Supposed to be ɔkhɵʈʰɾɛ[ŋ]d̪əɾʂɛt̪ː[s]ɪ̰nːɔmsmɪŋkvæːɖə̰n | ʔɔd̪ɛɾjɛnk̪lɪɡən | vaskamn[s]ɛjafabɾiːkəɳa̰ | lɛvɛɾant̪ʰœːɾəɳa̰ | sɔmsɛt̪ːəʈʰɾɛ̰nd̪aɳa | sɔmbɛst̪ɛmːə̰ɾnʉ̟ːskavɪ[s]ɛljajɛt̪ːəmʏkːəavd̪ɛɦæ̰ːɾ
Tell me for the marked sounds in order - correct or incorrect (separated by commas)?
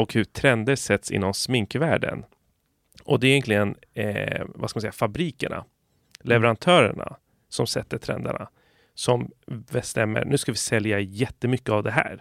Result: incorrect, correct, correct, correct